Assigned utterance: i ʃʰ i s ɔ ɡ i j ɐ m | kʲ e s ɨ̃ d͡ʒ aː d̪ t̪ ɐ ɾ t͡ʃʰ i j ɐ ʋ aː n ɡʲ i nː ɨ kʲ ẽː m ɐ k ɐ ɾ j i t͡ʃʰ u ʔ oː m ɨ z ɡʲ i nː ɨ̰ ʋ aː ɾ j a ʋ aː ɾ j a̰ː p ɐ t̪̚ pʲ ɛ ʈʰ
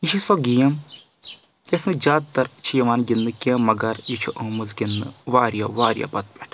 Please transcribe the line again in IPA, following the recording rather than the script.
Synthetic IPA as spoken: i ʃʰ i s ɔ ɡ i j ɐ m | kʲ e s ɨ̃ d͡ʒ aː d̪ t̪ ɐ ɾ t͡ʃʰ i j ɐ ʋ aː n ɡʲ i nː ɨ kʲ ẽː m ɐ ɡ ɐ ɾ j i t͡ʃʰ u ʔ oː m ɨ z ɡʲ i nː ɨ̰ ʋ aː ɾ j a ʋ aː ɾ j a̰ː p ɐ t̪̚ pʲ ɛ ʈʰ